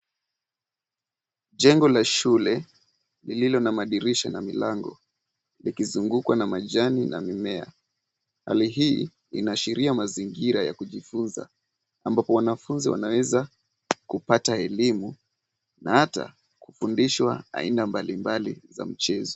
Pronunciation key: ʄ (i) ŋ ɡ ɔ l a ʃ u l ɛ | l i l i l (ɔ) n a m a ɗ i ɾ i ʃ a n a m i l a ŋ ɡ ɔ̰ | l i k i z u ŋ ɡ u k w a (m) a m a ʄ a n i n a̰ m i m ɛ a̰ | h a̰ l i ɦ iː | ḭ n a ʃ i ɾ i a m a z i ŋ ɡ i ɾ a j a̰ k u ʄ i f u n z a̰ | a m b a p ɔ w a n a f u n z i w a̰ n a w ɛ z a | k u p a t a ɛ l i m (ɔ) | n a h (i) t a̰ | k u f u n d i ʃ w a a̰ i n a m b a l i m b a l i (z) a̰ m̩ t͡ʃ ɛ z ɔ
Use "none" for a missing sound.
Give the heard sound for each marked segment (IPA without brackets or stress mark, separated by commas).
ɛ, ɔ, n, u, a, z